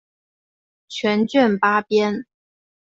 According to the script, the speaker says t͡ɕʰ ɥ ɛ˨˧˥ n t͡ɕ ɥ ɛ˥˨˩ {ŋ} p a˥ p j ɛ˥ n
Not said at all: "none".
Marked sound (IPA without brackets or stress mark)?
n